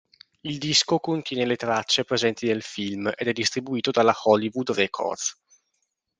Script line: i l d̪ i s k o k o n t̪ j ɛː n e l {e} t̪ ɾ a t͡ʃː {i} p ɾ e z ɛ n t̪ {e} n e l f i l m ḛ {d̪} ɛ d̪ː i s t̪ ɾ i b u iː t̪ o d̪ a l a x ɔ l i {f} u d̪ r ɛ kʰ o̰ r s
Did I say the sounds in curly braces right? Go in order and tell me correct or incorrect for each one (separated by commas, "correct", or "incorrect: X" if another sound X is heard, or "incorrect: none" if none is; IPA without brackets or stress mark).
correct, incorrect: e, incorrect: i, correct, incorrect: v